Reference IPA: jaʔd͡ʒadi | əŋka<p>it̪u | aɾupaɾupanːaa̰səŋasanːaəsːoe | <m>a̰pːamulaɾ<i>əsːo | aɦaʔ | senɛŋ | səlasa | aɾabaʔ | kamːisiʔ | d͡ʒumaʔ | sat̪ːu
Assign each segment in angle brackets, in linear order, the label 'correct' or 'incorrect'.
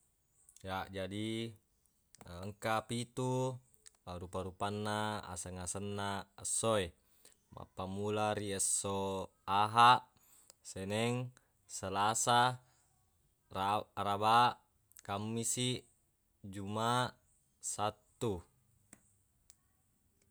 correct, correct, correct

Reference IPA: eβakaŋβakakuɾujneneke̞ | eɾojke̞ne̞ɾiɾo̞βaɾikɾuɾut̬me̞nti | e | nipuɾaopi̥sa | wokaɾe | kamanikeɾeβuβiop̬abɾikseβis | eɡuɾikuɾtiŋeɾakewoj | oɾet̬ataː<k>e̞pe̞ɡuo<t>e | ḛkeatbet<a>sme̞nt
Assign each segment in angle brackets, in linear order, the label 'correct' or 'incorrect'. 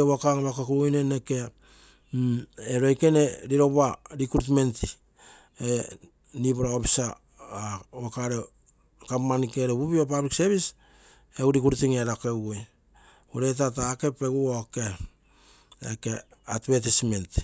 correct, incorrect, incorrect

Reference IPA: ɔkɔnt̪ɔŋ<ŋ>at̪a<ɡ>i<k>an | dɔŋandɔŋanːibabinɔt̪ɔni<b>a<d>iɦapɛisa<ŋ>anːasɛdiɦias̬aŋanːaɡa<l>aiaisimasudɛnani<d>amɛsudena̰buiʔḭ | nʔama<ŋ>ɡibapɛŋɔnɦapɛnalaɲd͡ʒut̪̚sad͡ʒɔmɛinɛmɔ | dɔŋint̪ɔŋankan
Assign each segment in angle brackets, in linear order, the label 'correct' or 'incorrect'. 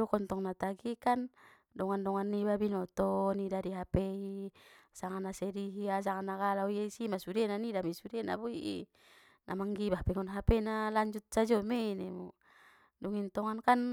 incorrect, correct, correct, incorrect, correct, correct, correct, correct, correct

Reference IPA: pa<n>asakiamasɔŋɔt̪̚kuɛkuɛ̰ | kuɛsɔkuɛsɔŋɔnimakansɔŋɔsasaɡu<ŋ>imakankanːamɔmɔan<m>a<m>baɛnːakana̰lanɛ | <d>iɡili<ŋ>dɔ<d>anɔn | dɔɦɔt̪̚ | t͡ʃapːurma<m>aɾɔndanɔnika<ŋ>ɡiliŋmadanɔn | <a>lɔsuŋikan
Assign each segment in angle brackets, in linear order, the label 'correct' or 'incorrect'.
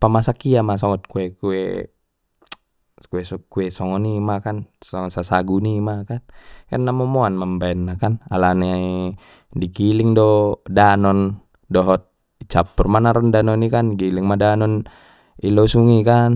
incorrect, incorrect, correct, correct, correct, correct, correct, incorrect, incorrect, incorrect

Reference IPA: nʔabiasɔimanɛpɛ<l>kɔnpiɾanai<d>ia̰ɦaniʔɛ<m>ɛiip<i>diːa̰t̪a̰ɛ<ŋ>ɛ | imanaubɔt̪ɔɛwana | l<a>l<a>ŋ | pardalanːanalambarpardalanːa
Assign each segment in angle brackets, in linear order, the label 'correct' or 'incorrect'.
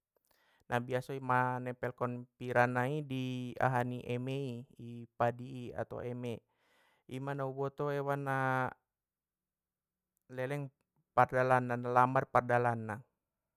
correct, correct, correct, incorrect, incorrect, incorrect, incorrect

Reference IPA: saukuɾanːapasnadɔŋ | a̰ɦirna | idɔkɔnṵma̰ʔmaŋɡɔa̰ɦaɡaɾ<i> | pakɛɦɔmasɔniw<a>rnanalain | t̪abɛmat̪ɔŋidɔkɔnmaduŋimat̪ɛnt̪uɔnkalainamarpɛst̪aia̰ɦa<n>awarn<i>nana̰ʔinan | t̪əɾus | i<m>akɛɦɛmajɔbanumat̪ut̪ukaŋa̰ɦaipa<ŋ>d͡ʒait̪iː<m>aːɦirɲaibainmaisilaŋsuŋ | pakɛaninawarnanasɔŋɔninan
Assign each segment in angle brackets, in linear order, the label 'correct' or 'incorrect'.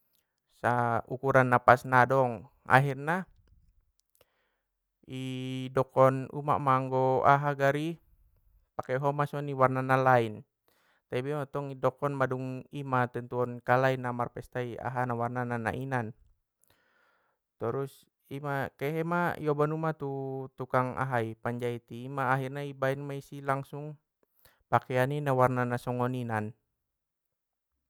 correct, correct, correct, incorrect, correct, incorrect, correct

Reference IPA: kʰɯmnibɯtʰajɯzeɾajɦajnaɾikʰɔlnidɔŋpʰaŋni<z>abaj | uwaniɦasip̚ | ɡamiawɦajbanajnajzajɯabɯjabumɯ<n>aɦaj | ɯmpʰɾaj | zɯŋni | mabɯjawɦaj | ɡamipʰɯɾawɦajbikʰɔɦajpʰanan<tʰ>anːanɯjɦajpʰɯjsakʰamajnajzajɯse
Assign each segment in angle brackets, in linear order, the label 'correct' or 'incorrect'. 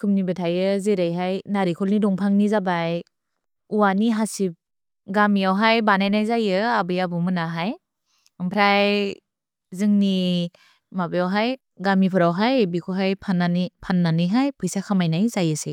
correct, correct, incorrect

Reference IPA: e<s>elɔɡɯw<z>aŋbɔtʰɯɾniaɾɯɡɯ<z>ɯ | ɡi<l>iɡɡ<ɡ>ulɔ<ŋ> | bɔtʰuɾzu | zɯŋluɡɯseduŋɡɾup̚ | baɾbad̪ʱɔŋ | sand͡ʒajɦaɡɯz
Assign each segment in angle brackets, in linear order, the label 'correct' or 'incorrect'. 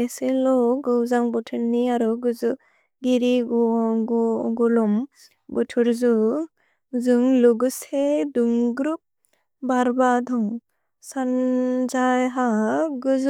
correct, correct, correct, incorrect, correct, incorrect

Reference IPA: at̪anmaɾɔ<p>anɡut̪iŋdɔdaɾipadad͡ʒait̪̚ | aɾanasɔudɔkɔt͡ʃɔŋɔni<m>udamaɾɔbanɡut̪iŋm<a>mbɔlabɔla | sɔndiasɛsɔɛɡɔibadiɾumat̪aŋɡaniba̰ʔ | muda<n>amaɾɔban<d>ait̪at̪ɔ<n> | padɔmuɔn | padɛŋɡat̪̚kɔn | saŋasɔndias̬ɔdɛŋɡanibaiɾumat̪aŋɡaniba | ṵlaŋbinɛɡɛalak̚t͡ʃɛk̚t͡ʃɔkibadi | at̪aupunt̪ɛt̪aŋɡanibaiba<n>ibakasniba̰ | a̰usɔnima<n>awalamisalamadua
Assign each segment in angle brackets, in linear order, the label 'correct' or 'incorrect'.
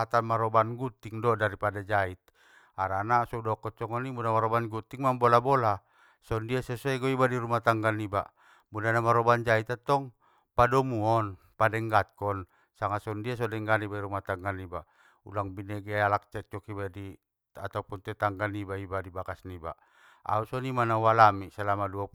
incorrect, correct, correct, correct, incorrect, incorrect, incorrect, correct

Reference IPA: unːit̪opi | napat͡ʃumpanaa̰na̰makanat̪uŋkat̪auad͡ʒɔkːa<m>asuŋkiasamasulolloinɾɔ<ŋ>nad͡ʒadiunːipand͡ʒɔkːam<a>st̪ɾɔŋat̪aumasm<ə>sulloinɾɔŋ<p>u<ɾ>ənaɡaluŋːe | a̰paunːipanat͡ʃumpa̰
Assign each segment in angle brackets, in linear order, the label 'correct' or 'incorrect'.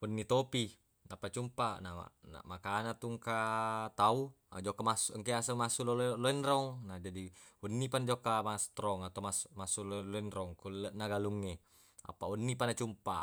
correct, correct, correct, incorrect, incorrect, incorrect

